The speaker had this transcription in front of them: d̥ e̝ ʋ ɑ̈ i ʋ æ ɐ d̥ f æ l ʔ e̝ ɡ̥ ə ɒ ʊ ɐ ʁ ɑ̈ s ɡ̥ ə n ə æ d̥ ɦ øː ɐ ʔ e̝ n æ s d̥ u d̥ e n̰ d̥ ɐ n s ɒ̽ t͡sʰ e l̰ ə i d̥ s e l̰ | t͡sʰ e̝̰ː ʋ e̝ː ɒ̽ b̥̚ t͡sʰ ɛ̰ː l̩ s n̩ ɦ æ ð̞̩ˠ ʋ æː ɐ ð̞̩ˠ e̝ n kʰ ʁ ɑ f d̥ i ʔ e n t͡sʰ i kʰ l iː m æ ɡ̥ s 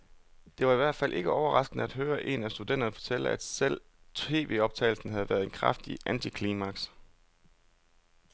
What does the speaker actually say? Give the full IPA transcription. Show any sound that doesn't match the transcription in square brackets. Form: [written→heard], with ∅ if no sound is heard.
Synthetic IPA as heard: d̥ e̝ ʋ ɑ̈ i ʋ æ ɐ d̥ f æ l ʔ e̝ ɡ̥ ə ɒ ʊ ɐ ʁ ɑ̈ s ɡ̥ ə n ə æ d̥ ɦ øː ɐ ʔ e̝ n æ s d̥ u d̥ e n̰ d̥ ɐ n [s→f] ɒ̽ t͡sʰ e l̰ ə [i→æ] d̥ s e l̰ | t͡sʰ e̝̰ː ʋ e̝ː ɒ̽ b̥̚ t͡sʰ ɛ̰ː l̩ s n̩ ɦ æ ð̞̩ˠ ʋ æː ɐ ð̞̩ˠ e̝ n kʰ ʁ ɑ f d̥ i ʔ [e→æ] n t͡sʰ i kʰ l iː m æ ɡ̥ s

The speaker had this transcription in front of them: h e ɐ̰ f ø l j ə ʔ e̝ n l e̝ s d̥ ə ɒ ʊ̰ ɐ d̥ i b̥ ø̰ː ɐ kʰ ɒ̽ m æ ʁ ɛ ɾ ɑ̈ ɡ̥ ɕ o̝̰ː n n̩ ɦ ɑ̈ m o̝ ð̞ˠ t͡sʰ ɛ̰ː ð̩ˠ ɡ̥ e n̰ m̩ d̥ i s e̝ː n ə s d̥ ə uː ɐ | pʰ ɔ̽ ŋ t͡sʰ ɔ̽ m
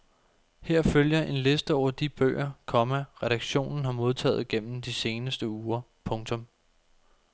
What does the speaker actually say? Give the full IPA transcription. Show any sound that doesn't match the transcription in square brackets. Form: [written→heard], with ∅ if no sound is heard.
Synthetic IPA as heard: h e ɐ̰ f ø l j [ə→ɐ] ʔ e̝ n l e̝ s d̥ ə ɒ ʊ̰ ɐ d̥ i b̥ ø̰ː ɐ kʰ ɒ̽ m æ ʁ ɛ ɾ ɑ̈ ɡ̥ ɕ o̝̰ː n n̩ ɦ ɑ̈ m o̝ ð̞ˠ t͡sʰ ɛ̰ː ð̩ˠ ɡ̥ e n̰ m̩ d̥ i s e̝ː n ə s d̥ ə uː ɐ | pʰ ɔ̽ ŋ t͡sʰ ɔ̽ m

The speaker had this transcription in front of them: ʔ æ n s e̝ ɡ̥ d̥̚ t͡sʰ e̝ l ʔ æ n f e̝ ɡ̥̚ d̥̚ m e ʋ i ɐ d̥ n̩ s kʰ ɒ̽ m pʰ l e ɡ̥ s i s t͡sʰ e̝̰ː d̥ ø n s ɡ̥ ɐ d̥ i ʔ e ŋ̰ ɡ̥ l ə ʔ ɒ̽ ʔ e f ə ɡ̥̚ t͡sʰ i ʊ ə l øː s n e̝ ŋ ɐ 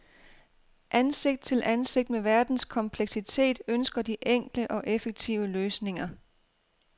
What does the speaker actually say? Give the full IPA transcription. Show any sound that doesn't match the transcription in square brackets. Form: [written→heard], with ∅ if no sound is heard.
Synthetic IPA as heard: ʔ æ n s e̝ ɡ̥ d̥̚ t͡sʰ e̝ l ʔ æ n [f→s] e̝ ɡ̥̚ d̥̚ m e ʋ [i→æ] ɐ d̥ n̩ s kʰ ɒ̽ m pʰ l e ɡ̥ s i [s→∅] t͡sʰ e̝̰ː d̥ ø n s ɡ̥ ɐ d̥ i ʔ e ŋ̰ ɡ̥ l ə ʔ ɒ̽ ʔ e f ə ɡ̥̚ t͡sʰ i ʊ ə l øː s n e̝ ŋ ɐ

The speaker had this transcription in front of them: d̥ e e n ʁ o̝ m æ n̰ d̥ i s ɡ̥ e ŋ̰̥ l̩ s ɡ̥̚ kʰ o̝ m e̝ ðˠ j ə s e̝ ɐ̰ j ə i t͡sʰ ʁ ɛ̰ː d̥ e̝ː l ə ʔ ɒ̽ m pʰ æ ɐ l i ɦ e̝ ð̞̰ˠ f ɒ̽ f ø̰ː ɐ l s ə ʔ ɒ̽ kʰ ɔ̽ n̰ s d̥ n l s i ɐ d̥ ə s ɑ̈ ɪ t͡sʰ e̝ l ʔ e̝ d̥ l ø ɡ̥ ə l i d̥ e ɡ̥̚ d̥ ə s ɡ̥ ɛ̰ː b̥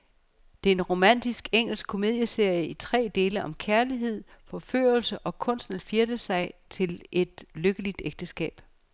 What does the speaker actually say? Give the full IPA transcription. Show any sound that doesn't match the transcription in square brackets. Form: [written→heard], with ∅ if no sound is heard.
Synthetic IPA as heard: d̥ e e n ʁ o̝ m æ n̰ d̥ i s ɡ̥ e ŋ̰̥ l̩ s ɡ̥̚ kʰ o̝ m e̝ ðˠ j ə s e̝ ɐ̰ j ə i t͡sʰ ʁ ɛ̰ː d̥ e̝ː l ə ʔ ɒ̽ m [pʰ→kʰ] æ ɐ l i ɦ e̝ ð̞̰ˠ f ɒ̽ f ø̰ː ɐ l s ə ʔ ɒ̽ kʰ ɔ̽ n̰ s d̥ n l [s→f] i ɐ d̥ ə s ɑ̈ ɪ t͡sʰ e̝ l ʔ e̝ d̥ l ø ɡ̥ ə l i d̥ e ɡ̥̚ d̥ ə s ɡ̥ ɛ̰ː b̥

